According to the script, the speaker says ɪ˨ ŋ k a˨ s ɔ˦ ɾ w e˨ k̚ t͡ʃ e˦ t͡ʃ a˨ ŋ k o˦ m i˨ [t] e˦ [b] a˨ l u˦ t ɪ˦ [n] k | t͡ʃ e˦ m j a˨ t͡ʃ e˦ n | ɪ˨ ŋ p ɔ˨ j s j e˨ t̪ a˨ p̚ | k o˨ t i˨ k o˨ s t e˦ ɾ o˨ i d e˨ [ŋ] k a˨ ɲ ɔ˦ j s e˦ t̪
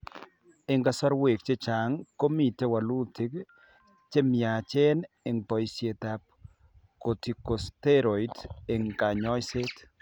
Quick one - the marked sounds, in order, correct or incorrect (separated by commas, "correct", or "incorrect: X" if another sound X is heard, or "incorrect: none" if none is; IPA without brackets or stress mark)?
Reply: correct, incorrect: w, incorrect: none, correct